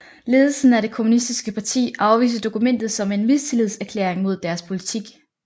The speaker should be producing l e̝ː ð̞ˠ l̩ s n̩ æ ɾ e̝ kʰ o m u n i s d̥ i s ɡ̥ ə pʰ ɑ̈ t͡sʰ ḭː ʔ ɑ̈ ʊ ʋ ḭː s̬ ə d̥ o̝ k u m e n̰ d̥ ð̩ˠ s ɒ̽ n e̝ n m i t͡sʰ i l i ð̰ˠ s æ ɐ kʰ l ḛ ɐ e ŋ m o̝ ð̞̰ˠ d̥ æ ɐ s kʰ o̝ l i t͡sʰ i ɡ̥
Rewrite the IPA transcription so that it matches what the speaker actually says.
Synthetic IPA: l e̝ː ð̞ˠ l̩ s n̩ æ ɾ e̝ kʰ o m u n i s d̥ i s ɡ̥ ə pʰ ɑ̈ t͡sʰ ḭː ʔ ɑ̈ ʊ ʋ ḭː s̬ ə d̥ o̝ k u m e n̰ d̥ ð̩ˠ s ɒ̽ m e̝ n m i t͡sʰ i l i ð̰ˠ s æ ɐ kʰ l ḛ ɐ e ŋ m o̝ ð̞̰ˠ d̥ æ ɐ s pʰ o̝ l i t͡sʰ i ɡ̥